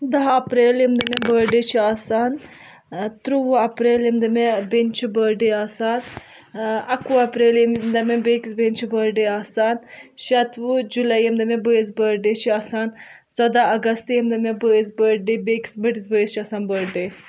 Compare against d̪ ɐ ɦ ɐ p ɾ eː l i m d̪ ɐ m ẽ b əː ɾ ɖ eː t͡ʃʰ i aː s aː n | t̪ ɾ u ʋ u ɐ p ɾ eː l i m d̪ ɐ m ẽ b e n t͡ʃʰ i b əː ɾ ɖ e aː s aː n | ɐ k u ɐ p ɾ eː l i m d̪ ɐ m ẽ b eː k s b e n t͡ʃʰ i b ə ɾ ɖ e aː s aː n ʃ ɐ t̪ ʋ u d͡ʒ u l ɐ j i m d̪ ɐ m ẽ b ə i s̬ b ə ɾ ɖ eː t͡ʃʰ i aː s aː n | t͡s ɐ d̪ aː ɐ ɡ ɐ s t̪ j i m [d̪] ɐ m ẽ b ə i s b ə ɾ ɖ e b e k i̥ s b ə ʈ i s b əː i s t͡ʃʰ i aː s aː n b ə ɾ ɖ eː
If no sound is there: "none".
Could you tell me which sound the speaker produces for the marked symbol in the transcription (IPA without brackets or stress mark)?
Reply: d̪